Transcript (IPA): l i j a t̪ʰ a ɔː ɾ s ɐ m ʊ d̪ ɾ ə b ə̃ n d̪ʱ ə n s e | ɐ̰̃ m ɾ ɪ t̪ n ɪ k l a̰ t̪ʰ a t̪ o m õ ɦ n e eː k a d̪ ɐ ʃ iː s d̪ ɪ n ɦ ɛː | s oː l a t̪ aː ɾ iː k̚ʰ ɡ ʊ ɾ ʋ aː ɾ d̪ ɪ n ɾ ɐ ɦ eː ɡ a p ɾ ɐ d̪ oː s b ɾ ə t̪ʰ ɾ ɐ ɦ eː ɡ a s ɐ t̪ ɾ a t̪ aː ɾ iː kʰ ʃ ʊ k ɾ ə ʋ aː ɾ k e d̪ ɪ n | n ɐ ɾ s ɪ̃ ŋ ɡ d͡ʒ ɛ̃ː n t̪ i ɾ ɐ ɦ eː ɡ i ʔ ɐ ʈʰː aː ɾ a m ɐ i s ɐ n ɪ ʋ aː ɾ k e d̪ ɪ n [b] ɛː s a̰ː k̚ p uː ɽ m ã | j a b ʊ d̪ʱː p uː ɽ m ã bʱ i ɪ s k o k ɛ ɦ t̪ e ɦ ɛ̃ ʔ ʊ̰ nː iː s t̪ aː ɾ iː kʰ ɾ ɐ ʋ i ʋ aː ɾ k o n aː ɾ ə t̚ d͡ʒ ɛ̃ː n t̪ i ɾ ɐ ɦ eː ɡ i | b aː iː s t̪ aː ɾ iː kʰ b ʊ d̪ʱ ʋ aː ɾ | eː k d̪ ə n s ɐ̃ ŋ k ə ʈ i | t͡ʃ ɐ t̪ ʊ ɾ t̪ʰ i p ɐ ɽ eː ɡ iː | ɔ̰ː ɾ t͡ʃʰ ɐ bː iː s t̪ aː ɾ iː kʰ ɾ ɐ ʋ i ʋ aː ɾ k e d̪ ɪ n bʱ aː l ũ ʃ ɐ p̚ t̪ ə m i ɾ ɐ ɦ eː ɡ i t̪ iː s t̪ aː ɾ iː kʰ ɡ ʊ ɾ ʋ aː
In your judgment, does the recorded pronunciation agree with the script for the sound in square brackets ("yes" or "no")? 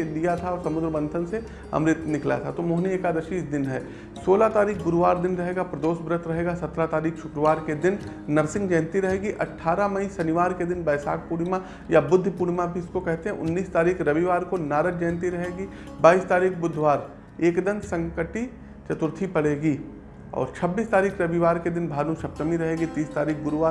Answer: yes